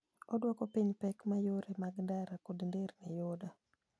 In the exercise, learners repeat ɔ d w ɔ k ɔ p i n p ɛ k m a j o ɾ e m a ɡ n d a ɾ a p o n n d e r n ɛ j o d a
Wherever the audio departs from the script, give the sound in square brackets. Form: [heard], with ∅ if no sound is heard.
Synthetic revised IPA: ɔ d w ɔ k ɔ p i [ɲ] p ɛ k m a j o ɾ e m a ɡ n d a ɾ a [k] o [d] n d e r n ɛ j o d a